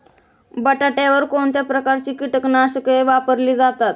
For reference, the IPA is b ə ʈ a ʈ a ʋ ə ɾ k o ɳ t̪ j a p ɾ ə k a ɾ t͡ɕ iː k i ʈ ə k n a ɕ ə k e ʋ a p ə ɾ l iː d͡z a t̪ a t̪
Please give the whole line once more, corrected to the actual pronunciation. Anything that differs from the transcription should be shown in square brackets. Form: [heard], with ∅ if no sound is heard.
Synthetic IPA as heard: b ə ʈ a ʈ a ʋ ə ɾ k o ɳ t̪ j a p ɾ ə k a ɾ t͡ɕ iː k i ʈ ə k n a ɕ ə k e ʋ a p ə ɾ l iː d͡z a t̪ a t̪